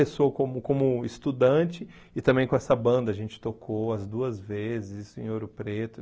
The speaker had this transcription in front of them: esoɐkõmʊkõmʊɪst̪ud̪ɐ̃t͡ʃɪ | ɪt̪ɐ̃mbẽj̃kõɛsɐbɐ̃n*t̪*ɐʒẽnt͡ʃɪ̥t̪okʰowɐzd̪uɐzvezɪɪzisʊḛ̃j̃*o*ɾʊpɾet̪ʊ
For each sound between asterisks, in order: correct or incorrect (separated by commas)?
incorrect, correct